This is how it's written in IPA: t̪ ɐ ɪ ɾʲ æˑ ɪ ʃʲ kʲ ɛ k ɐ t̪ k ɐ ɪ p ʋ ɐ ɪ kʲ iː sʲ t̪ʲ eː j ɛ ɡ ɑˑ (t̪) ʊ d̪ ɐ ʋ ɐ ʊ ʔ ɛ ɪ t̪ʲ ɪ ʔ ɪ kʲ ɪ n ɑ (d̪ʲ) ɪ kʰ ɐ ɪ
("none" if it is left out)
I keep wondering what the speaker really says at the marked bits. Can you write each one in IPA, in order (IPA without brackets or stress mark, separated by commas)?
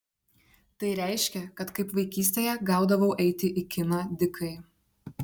none, d̪ʲ